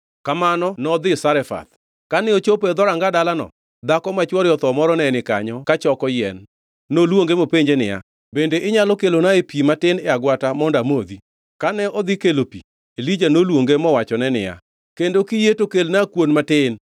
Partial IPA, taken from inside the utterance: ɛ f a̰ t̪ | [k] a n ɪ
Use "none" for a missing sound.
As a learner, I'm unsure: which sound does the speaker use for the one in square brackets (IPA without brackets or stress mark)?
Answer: k